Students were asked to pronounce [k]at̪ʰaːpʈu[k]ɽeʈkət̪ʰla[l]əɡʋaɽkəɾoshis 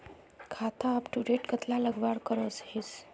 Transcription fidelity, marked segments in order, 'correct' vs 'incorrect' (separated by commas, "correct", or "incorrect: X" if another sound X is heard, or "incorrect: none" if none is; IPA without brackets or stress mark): incorrect: kʰ, incorrect: none, correct